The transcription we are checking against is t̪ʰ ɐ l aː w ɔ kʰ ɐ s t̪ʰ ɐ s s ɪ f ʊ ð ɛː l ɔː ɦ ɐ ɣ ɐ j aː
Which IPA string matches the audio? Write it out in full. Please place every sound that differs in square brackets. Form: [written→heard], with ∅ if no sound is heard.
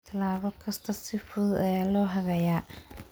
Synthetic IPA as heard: t̪ʰ ɐ l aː [w→β] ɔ kʰ ɐ s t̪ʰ ɐ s s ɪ f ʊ ð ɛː l ɔː ɦ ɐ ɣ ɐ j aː